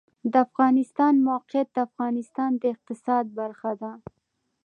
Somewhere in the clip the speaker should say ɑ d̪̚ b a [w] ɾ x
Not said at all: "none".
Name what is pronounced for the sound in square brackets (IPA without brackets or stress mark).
none